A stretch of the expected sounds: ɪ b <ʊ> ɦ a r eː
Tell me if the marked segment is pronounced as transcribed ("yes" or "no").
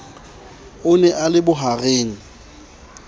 yes